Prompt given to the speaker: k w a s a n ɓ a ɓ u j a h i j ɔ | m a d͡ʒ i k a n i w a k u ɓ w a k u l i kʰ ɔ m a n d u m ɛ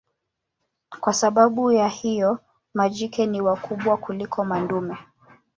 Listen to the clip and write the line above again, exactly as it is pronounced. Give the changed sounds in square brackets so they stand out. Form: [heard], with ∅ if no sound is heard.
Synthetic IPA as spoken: k w a s a [∅] ɓ a ɓ u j a h i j ɔ | m a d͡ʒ i k [ɛ] n i w a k u ɓ w a k u l i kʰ ɔ m a n d u m ɛ

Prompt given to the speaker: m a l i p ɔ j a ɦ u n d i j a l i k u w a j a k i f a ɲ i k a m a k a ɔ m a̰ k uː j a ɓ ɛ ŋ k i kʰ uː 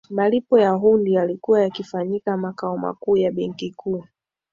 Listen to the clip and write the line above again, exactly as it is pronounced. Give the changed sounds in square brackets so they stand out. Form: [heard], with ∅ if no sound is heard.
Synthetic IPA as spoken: m a l i p ɔ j a ɦ u n d i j a l i k u w a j a k i f a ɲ i k a m a k a ɔ m a̰ k uː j a ɓ ɛ ŋ k i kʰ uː

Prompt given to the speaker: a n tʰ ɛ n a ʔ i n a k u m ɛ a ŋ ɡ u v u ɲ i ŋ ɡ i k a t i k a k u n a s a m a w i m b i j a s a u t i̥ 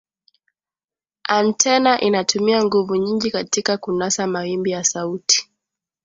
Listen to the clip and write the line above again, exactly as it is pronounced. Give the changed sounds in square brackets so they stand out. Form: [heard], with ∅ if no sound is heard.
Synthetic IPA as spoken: a n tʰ ɛ n a ʔ i n a [t] u m [i] a ŋ ɡ u v u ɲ i ŋ ɡ i k a t i k a k u n a s a m a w i m b i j a s a u t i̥

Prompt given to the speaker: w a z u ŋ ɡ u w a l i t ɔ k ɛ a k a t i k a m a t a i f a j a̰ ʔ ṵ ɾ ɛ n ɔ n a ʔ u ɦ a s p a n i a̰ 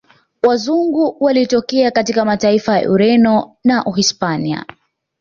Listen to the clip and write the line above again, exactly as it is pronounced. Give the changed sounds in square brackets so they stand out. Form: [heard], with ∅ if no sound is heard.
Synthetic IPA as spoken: w a z u ŋ ɡ u w a l i t ɔ k ɛ a k a t i k a m a t a i f a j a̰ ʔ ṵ ɾ ɛ n ɔ n a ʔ u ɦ [i] s p a n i a̰

